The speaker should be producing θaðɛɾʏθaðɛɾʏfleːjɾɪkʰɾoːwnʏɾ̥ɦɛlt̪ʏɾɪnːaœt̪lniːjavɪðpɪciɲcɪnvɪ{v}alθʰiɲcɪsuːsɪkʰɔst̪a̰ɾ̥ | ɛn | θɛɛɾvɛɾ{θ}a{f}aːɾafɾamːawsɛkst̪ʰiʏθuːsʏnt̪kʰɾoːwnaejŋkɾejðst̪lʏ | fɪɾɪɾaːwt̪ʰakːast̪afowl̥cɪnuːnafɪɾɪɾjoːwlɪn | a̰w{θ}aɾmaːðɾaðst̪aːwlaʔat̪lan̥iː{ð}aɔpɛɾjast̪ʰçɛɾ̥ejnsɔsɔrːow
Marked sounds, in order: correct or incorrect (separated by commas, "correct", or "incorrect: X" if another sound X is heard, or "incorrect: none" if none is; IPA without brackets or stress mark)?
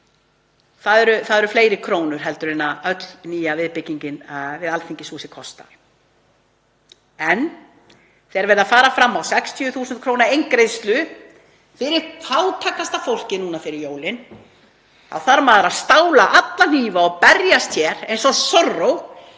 incorrect: ð, incorrect: ð, correct, correct, incorrect: v